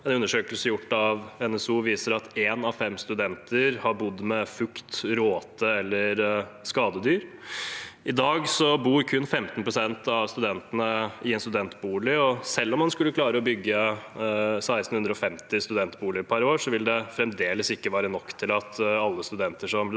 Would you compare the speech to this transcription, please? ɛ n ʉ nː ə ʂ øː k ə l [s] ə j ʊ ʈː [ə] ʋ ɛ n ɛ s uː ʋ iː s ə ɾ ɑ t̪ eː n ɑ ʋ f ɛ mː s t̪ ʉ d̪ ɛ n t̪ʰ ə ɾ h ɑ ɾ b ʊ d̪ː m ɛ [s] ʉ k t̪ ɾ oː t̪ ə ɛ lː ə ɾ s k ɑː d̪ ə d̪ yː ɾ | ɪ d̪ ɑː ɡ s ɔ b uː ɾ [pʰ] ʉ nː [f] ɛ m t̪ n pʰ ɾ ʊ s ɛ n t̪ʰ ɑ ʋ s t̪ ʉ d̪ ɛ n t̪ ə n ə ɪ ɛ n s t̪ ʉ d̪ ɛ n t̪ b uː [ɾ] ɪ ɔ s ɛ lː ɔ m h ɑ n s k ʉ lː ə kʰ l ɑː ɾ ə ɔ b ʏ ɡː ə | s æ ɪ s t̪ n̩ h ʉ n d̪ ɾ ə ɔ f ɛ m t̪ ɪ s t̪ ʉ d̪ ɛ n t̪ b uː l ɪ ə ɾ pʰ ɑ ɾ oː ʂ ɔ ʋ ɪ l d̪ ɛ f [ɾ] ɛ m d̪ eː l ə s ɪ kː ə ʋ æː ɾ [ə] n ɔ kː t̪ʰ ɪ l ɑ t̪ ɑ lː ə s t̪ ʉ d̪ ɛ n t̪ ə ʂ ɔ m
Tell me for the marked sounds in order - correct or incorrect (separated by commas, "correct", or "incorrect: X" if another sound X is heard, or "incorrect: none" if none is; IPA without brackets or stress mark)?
correct, incorrect: ɑ, incorrect: f, incorrect: kʰ, correct, incorrect: l, correct, correct